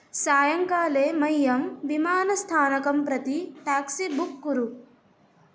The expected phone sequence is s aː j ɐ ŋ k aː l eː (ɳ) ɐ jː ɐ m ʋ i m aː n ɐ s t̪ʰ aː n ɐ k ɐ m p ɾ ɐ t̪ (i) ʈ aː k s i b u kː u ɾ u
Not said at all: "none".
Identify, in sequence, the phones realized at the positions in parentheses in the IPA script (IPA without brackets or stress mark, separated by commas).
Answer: m, i